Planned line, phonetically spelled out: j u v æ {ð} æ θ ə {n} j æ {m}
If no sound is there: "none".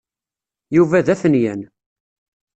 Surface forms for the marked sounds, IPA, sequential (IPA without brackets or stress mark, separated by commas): ð, n, n